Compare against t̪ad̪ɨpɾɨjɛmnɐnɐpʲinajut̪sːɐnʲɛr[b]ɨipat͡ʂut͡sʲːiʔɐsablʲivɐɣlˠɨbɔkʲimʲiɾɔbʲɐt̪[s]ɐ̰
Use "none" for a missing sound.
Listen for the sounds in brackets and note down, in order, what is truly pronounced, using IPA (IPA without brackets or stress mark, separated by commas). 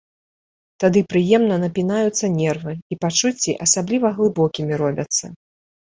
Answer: v, sː